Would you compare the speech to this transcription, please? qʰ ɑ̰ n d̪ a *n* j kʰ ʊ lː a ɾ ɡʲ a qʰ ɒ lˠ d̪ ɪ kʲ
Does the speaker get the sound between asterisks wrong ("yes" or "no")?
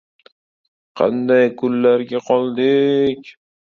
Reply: yes